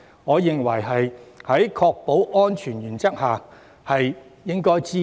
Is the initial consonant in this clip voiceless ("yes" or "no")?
no